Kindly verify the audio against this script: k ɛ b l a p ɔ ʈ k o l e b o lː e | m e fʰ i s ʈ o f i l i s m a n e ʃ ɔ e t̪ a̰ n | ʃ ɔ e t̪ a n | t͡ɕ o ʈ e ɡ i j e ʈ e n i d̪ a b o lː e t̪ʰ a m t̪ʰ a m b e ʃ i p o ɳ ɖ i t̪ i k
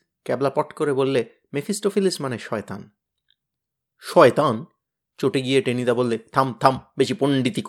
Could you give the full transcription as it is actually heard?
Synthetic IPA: k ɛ b l a p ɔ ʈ k o ɾ e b o lː e | m e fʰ i s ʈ o f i l i s m a n e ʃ ɔ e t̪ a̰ n | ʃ ɔ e t̪ a n | t͡ɕ o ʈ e ɡ i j e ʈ e n i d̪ a b o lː e t̪ʰ a m t̪ʰ a m b e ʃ i p o ɳ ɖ i t̪ i k